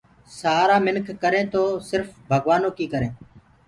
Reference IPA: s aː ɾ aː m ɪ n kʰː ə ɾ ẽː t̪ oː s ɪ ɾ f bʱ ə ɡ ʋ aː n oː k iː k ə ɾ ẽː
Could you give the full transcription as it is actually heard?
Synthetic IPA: s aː ɾ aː m ɪ n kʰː ə ɾ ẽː t̪ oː s ɪ ɾ f bʱ ə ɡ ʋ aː n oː k iː k ə ɾ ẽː